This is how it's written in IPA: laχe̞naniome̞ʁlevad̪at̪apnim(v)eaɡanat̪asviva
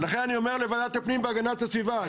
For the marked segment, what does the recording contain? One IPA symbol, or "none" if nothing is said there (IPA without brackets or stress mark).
b